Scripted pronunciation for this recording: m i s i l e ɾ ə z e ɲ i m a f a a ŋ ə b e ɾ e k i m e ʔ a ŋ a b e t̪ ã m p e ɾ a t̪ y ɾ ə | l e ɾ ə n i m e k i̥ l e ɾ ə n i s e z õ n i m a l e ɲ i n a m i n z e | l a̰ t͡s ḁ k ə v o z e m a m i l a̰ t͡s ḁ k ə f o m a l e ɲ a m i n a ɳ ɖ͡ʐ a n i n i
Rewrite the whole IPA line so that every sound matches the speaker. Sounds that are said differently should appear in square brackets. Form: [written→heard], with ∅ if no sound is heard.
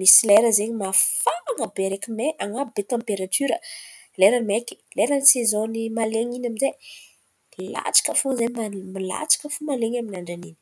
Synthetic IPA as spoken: m i s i l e ɾ ə z e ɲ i m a f a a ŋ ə b e ɾ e k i m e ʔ a ŋ a b e t̪ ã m p e ɾ a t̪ y ɾ ə | l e ɾ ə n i m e k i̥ l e ɾ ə n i s e z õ n i m a l e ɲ i n a m i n z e | l a̰ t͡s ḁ k ə [v→f] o z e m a m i l a̰ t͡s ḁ k ə f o m a l e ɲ a m i n a ɳ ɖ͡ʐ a n i n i